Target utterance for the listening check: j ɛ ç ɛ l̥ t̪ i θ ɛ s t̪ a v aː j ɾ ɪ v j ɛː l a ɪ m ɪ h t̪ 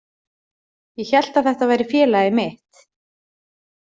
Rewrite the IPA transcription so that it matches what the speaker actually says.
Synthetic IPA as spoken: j ɛ ç ɛ l̥ t̪ a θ ɛ h t̪ a v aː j ɾ ɪ f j ɛː l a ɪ m ɪ h t̪

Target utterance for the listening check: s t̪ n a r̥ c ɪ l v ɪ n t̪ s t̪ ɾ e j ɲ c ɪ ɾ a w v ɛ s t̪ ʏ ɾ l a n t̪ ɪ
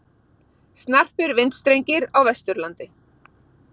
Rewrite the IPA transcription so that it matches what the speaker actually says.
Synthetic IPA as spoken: s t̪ n a r̥ p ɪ ɾ v ɪ n t̪ s t̪ ɾ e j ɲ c ɪ ɾ a w v ɛ s t̪ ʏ ɾ l a n t̪ ɪ

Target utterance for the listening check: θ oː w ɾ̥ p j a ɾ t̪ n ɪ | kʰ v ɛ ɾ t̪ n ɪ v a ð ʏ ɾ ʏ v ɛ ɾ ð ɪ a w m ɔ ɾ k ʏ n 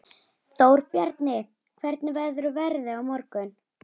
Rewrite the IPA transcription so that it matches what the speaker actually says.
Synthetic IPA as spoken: θ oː w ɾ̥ p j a ɾ t̪ n ɪ | kʰ v ɛ ɾ t̪ n ɪ v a ð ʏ ɾ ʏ v ɛ ɾ ð ɪ a w m ɔ ɾ k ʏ n

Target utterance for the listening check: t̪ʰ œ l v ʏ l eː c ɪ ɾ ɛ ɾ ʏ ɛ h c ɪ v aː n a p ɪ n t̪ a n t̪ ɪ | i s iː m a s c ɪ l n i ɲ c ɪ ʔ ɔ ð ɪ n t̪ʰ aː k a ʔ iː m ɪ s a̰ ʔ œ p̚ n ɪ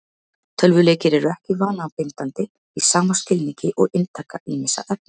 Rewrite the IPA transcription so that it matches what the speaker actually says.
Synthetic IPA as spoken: t̪ʰ œ l v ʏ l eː c ɪ ɾ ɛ ɾ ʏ ɛ h c ɪ v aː n a p ɪ n t̪ a n t̪ ɪ | i s aː m a s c ɪ l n i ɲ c ɪ ʔ ɔ ɣ ɪ n t̪ʰ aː k a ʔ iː m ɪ s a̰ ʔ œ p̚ n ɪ

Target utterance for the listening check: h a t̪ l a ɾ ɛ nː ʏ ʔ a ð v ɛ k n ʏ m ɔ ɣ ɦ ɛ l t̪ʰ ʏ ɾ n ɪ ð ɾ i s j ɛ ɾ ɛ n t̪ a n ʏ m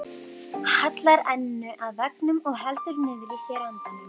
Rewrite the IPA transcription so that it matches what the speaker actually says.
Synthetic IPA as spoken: h a t̪ l a ɾ ɛ nː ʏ ʔ a ð v ɛ k n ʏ m ɔ ɣ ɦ ɛ l t̪ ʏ ɾ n ɪ ð ɾ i s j ɛ ɾ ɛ n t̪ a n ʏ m

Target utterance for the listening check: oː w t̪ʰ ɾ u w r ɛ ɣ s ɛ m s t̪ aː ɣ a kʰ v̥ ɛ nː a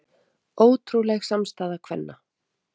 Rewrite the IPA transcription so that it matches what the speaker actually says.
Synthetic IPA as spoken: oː w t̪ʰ ɾ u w l ɛ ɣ s a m s t̪ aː ð a kʰ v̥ ɛ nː a

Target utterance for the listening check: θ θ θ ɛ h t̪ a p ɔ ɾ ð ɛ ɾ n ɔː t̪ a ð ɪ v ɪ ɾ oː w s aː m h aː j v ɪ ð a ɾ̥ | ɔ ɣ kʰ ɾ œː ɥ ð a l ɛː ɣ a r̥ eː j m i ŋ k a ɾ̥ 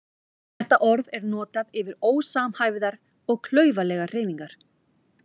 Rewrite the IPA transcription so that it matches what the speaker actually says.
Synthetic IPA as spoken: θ θ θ ɛ h t̪ a ʔ ɔ ɾ ð ɛ ɾ n ɔː t̪ a ð ɪ v ɪ ɾ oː w s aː m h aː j v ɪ ð a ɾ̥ | ɔ ɣ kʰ l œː ɥ v a l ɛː ɣ a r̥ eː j m i ŋ k a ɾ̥

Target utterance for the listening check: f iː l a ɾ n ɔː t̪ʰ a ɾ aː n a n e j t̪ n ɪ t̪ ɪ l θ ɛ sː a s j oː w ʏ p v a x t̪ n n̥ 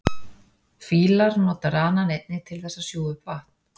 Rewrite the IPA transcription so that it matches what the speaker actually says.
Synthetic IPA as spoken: f iː l a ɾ n ɔː t̪ a ɾ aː n a n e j t̪ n ɪ t̪ʰ ɪ l θ ɛ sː a s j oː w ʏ p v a h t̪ n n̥

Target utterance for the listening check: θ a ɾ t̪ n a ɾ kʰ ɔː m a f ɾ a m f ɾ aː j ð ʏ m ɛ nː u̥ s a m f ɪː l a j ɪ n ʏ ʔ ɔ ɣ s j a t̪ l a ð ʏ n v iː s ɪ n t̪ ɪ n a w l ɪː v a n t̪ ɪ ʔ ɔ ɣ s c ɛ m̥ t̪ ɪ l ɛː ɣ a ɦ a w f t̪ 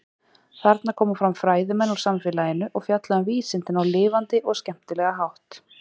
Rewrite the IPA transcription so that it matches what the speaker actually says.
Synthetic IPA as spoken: θ a ɾ t̪ n a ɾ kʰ ɔː m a f ɾ a m f ɾ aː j ð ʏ m ɛ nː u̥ s a m f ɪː l a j ɪ n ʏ ʔ ɔ ɣ f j a t̪ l a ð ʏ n v iː s ɪ n t̪ ɪ n a w l ɪː v a n t̪ ɪ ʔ ɔ ɣ s c ɛ m̥ t̪ ɪ l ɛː ɣ a ɦ a w h t̪

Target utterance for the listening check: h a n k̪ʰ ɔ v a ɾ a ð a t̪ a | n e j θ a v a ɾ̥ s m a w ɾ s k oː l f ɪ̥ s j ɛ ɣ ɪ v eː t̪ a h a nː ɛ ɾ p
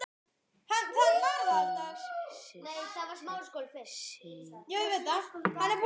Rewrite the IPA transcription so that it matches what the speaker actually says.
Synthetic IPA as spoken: h a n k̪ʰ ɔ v a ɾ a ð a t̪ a | n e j θ a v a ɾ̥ s m a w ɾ s k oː l f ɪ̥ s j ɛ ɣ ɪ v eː t̪ a h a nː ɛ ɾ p

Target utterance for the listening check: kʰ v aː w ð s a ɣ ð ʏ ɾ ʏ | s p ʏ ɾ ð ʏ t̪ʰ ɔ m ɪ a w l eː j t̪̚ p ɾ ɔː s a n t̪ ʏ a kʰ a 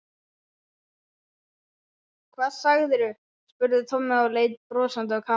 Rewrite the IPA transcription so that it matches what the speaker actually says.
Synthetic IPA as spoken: kʰ v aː ð s a ɣ ð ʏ ɾ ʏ | s p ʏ ɾ ð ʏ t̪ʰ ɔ m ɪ a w l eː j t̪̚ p ɾ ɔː s a n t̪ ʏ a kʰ a

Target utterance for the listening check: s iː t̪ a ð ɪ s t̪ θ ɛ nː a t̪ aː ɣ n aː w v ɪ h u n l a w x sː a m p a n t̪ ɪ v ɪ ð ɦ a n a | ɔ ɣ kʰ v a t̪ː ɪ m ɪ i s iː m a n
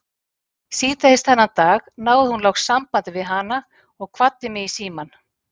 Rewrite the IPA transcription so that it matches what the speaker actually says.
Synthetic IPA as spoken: s iː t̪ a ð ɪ s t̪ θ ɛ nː a t̪ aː ɣ n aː w ð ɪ h u n l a w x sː a m p a n t̪ ɪ v ɪ ð ɦ a n a | ɔ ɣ kʰ v a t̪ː ɪ m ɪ i s iː m a n

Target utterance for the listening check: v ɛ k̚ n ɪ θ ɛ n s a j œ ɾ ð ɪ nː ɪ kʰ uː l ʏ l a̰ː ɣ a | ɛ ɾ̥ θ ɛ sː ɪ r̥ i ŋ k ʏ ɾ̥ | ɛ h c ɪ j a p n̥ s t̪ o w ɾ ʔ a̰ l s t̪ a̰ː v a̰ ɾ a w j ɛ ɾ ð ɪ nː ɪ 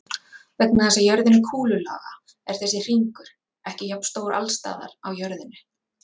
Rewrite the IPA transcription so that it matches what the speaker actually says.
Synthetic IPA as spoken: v ɛ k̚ n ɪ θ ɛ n s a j œ ɾ ð ɪ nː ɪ kʰ uː l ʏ l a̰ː ɣ a | ɛ ɾ̥ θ ɛ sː ɪ r̥ i ŋ k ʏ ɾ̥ | ɛ h c ɪ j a p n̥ s t̪ o w ɾ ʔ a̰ l s t̪ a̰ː ð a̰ ɾ a w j œ ɾ ð ɪ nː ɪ

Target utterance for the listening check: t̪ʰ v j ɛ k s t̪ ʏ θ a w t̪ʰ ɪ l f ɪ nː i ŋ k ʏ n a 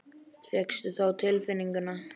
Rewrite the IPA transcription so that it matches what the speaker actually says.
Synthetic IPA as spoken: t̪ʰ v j ɛ k s t̪ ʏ θ a w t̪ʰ ɪ l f ɪ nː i ŋ k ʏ n a

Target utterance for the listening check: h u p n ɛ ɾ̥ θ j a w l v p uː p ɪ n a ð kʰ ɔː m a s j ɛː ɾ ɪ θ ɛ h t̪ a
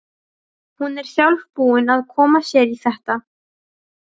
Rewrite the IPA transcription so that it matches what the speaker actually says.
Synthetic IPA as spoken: h u n ɛ ɾ̥ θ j a w l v p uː ɪ n a ð kʰ ɔː m a s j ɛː ɾ i θ ɛ h t̪ a

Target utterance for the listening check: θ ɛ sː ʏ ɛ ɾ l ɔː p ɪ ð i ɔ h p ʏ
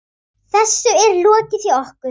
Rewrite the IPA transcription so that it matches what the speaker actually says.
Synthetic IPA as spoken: θ ɛ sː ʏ ɛ ɾ l ɔː c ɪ θ i ɔ h k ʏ

